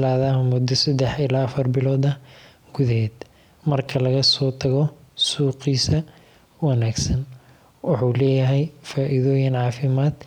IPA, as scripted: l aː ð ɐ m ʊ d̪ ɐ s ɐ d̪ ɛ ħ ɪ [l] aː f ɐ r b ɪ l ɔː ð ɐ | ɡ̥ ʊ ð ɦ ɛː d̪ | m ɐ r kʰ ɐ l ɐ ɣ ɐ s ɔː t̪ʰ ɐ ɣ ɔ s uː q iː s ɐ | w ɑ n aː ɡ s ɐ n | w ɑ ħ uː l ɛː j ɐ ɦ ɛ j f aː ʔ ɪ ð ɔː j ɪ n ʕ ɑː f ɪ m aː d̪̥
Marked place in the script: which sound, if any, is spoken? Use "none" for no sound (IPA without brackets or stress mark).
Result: l